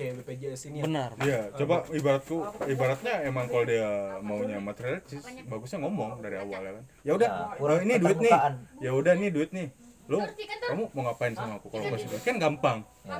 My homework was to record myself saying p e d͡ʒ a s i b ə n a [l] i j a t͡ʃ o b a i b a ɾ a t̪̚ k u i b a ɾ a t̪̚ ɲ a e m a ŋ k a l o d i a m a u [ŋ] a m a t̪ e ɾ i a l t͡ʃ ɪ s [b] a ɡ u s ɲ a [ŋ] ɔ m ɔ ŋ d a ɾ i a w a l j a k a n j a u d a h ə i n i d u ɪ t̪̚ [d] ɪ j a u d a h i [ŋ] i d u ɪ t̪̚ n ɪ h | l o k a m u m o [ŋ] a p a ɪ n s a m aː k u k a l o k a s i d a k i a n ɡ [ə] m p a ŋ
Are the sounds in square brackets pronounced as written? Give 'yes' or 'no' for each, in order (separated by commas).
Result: no, no, yes, yes, no, no, yes, no